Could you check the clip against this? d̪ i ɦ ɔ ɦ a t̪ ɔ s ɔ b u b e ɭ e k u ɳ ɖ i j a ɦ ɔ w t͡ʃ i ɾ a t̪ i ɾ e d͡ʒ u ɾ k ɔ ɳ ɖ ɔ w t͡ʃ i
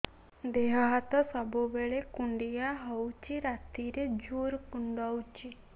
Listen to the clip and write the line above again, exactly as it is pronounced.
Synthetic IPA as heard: d̪ e ɦ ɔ ɦ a t̪ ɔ s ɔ b u b e ɭ e k u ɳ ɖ i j a ɦ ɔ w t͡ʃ i ɾ a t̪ i ɾ e d͡ʒ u ɾ k u ɳ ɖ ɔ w t͡ʃ i